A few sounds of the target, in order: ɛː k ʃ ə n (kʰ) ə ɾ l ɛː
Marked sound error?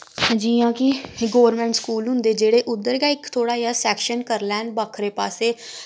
yes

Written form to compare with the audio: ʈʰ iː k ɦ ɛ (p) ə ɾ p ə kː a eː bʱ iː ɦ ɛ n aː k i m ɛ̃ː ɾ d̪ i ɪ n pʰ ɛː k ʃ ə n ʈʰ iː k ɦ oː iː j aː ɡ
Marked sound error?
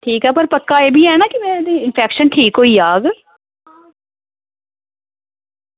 no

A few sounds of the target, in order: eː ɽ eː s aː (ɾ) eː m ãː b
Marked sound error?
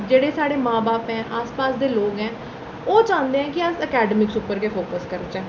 yes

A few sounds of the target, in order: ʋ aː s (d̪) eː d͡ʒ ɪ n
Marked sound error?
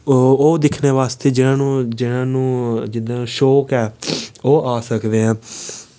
yes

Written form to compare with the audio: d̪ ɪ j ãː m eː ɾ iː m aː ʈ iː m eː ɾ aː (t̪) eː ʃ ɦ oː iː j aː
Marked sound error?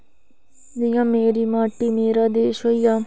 yes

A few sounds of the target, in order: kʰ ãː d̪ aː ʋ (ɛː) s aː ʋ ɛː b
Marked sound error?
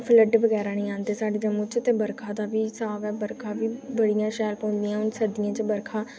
yes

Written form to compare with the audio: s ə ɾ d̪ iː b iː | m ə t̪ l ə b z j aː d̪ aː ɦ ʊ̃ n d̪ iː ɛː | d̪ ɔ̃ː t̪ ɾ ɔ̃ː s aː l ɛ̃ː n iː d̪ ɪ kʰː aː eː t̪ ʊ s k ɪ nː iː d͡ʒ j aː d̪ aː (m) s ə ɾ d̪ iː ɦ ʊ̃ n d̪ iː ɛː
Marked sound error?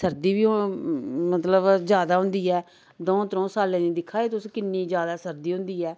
yes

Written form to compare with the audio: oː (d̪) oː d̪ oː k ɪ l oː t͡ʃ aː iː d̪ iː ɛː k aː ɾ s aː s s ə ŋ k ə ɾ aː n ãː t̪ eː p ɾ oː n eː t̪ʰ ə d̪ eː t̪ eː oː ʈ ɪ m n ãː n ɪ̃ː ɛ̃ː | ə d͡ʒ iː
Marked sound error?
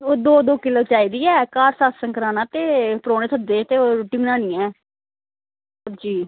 no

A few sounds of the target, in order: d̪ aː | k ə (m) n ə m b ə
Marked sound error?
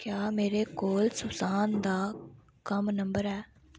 no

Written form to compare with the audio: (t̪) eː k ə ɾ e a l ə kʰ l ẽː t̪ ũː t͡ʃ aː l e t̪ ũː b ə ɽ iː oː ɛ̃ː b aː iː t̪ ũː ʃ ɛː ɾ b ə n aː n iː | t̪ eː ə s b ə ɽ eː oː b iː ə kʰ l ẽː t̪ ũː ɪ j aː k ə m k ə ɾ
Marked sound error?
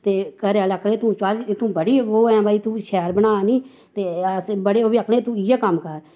no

